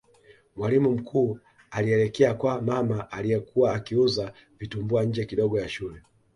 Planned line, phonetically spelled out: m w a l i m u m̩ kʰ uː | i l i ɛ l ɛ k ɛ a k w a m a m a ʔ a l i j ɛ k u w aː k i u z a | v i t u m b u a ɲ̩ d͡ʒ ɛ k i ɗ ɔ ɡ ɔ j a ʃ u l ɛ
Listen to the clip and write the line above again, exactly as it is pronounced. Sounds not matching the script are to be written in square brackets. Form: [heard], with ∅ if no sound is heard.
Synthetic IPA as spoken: m w a l i m u m̩ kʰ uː | [a] l i ɛ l ɛ k ɛ a k w a m a m a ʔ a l i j ɛ k u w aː k i u z a | v i t u m b u a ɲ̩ d͡ʒ ɛ k i ɗ ɔ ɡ ɔ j a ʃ u l ɛ